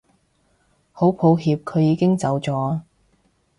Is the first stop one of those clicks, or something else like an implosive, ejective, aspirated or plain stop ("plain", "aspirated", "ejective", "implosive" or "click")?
aspirated